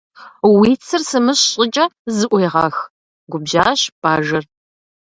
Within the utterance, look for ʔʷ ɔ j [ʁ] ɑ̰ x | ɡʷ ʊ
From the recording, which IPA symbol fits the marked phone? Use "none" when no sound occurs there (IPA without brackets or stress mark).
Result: ʁ